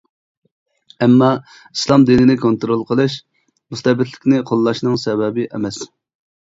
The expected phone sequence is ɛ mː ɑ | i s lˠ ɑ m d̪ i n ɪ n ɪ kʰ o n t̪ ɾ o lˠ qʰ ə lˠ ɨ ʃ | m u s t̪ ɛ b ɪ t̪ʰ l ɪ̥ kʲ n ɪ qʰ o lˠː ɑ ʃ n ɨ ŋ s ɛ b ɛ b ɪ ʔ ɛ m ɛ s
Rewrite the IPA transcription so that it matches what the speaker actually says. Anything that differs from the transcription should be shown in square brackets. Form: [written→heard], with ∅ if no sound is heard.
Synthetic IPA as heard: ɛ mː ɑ | i s lˠ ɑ m d̪ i n ɪ n ɪ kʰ o n t̪ ɾ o lˠ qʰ ə lˠ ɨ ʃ | m u s t̪ ɛ b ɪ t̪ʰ l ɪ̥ kʲ n ɪ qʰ o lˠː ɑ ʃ n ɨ ŋ s ɛ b ɛ b ɪ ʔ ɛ m ɛ s